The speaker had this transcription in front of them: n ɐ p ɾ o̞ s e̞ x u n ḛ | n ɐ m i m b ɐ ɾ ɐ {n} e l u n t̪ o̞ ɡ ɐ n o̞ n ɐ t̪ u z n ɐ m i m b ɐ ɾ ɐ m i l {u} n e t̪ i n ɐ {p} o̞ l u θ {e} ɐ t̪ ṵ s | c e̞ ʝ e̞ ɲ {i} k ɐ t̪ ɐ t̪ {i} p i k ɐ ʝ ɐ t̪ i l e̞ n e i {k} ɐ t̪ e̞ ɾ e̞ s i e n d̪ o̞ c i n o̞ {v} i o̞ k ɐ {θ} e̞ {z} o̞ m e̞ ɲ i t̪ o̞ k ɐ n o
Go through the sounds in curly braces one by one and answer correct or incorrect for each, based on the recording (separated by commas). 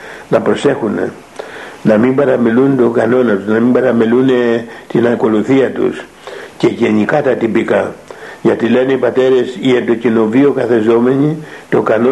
incorrect, correct, incorrect, incorrect, correct, correct, incorrect, correct, correct, correct